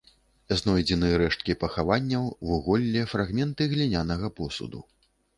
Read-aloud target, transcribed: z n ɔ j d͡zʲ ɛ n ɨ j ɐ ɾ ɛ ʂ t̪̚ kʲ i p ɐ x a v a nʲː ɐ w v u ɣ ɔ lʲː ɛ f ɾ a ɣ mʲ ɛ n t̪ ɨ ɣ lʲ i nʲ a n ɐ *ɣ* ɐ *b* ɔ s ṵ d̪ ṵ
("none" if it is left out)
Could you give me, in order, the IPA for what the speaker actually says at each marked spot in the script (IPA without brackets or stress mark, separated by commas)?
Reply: ɣ, p